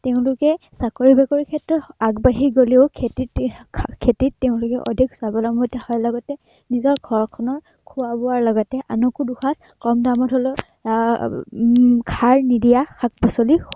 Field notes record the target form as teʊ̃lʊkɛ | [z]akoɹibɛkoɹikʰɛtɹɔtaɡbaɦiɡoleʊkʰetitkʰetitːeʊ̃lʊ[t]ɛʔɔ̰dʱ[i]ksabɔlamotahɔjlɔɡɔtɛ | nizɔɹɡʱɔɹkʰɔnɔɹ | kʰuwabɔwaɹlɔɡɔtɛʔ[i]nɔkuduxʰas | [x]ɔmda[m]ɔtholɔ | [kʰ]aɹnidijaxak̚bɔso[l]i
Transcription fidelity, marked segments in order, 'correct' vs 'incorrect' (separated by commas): incorrect, incorrect, correct, incorrect, incorrect, correct, correct, correct